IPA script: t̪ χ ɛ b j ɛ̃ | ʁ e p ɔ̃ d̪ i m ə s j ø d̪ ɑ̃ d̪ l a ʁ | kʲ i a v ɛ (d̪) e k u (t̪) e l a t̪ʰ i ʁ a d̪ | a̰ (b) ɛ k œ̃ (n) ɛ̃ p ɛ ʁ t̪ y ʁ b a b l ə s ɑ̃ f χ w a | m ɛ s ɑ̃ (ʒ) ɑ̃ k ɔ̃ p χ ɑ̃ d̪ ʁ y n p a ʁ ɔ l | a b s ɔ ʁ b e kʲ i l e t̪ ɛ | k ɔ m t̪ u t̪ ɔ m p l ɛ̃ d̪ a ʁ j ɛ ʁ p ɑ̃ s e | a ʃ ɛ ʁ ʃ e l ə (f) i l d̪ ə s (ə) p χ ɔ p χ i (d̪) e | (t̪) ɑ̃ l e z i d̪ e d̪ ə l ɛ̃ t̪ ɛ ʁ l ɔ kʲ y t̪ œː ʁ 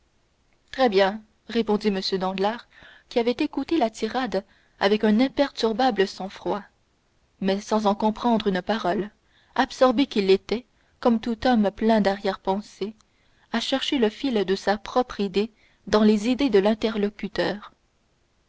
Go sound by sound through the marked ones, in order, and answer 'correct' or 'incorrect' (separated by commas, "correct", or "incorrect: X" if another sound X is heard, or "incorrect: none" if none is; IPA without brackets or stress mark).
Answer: incorrect: t̪, correct, incorrect: v, correct, incorrect: z, correct, incorrect: a, correct, incorrect: d̪